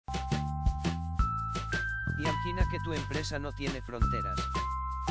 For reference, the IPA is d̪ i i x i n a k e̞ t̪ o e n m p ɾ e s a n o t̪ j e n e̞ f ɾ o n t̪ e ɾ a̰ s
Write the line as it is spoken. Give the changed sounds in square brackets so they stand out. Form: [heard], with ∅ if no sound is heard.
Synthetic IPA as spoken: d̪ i [a] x i n a k e̞ t̪ [u] e [∅] m p ɾ e s a n o t̪ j e n e̞ f ɾ o n t̪ e ɾ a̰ s